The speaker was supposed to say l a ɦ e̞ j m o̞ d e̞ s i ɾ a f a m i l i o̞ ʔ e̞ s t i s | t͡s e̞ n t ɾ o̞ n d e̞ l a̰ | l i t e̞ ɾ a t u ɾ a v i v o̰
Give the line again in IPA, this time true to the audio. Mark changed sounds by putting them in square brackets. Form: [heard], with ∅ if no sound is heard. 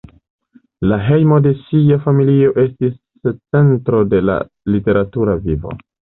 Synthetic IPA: l a ɦ e̞ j m o̞ d e̞ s i [∅] a f a m i l i o̞ ʔ e̞ s t i s | t͡s e̞ n t ɾ o̞ [∅] d e̞ l a̰ | l i t e̞ ɾ a t u ɾ a v i v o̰